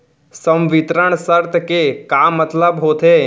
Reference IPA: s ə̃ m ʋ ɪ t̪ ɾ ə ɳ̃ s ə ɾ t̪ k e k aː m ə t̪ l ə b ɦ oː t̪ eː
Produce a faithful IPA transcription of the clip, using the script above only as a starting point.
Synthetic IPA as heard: s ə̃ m ʋ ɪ t̪ ɾ ə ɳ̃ s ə ɾ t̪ k e k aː m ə t̪ l ə b ɦ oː t̪ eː